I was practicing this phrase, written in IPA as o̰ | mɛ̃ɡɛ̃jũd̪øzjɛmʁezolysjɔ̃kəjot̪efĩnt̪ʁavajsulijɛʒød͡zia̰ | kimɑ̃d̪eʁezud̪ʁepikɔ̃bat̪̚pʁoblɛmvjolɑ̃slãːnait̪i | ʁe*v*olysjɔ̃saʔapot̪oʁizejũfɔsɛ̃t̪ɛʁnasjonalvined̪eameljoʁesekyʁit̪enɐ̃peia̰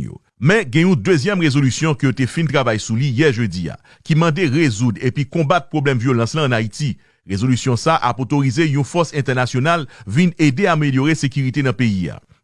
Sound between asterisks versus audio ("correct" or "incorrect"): incorrect